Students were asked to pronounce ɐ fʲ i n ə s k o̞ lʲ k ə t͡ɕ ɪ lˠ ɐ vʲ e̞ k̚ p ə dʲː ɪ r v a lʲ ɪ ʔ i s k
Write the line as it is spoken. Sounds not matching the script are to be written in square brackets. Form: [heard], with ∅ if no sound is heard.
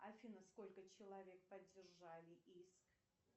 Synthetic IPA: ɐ fʲ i n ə s k o̞ lʲ k ə t͡ɕ ɪ lˠ ɐ vʲ e̞ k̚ p ə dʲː ɪ r [ʐ] a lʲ ɪ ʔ i s k